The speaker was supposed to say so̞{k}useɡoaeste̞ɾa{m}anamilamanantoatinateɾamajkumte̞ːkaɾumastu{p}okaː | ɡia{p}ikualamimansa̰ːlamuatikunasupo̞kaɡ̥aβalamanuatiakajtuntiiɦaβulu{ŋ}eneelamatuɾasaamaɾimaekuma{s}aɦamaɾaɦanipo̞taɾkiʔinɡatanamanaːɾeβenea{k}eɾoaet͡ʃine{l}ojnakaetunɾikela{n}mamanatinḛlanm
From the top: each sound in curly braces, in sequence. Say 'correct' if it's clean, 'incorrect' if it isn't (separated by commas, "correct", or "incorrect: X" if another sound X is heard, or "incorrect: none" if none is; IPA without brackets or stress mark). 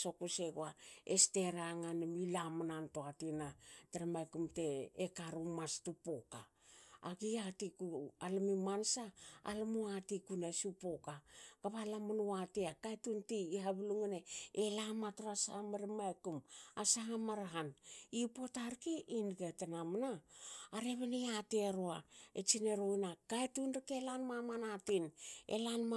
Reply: correct, incorrect: ŋ, correct, incorrect: t, correct, correct, incorrect: t, incorrect: ɾ, correct